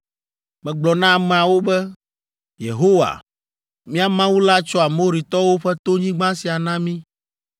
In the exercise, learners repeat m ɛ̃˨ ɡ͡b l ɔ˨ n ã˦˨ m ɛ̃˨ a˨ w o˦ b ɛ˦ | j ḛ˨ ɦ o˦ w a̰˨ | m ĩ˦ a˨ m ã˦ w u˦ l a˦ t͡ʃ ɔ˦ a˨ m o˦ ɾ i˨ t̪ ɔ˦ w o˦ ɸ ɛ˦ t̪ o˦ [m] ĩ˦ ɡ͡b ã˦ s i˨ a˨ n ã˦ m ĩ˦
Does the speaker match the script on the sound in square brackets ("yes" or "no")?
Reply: no